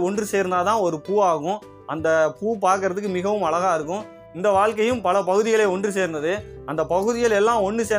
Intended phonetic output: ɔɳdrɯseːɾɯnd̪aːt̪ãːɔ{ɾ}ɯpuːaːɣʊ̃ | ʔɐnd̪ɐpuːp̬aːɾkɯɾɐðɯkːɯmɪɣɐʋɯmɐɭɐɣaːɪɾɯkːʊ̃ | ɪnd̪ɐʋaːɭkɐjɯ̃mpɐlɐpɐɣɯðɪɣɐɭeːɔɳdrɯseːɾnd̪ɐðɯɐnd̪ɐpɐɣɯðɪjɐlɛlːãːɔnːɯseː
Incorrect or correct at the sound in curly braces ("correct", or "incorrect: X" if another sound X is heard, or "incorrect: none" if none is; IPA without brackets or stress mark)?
correct